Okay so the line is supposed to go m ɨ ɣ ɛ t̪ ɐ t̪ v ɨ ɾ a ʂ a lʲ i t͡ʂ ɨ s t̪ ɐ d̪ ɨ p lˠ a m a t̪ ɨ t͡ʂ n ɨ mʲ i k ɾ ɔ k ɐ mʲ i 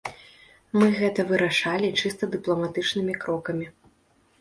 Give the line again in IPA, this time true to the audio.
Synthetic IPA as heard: m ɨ ɣ ɛ t̪ ɐ v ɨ ɾ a ʂ a lʲ i t͡ʂ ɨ s t̪ ɐ d̪ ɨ p lˠ ɐ m a t̪ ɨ t͡ʂ n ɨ mʲ i k ɾ ɔ k ɐ mʲ i